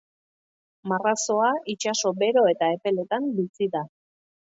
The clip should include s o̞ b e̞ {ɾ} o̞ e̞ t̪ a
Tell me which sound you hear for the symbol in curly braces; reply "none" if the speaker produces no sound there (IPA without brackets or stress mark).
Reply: ɾ